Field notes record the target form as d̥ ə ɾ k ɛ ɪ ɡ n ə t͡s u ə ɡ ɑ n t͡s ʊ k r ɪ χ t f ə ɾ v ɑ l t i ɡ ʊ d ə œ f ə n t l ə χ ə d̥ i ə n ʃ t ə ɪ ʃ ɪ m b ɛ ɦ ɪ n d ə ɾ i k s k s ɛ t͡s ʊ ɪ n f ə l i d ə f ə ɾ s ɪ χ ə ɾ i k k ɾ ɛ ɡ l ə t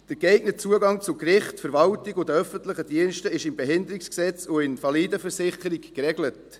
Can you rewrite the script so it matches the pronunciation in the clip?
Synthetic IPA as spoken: d̥ ə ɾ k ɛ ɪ ɡ n ə t͡s u ə ɡ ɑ ŋ t͡s ʊ k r ɪ χ t f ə ɾ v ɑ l t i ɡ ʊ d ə œ f ə n t l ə χ ə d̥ i ə n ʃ t ə ɪ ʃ ɪ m b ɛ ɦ ɪ n d ə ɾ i k s k s ɛ t͡s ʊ ɪ n f ɑ l i d ə f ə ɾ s ɪ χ ə ɾ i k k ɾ ɛ ɡ l ə t